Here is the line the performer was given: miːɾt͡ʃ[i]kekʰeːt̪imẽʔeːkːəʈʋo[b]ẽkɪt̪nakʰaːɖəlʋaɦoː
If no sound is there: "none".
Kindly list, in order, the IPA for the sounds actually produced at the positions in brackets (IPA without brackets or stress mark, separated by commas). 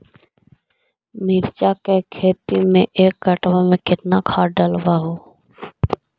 a, m